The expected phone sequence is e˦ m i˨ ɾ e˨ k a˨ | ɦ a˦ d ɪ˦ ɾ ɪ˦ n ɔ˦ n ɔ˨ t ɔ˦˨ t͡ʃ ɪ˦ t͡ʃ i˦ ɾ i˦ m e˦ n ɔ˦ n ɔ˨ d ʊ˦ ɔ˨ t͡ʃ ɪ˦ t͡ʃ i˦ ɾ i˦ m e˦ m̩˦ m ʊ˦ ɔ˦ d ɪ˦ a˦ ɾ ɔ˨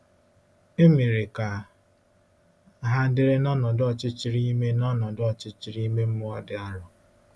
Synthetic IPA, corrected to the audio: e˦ m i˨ ɾ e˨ k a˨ | ɦ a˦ d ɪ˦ ɾ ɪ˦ n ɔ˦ n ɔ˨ d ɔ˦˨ t͡ʃ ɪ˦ t͡ʃ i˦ ɾ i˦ m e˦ n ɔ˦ n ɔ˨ d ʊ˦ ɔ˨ t͡ʃ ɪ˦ t͡ʃ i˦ ɾ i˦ m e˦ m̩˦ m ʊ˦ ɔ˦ d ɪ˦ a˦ ɾ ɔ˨